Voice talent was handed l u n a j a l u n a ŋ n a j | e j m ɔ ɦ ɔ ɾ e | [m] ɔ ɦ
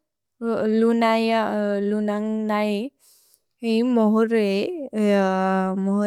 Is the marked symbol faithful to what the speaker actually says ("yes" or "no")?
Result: yes